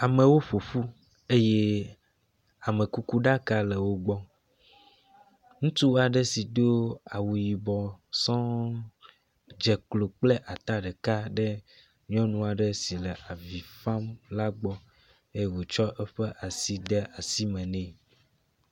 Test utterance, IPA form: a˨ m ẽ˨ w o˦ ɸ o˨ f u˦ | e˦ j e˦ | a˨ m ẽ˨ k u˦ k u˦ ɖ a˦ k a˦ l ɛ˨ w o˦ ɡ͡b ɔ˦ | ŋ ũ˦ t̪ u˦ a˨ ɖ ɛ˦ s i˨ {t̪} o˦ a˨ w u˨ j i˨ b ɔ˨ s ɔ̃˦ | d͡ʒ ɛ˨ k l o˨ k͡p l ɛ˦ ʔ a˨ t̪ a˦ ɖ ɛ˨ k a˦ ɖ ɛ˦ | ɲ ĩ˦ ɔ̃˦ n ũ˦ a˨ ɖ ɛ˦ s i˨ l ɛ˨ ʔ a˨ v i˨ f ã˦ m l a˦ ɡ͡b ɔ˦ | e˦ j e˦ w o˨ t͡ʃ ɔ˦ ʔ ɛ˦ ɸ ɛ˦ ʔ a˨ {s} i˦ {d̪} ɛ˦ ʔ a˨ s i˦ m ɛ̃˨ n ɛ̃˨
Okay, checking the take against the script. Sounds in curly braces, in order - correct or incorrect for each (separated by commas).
incorrect, correct, correct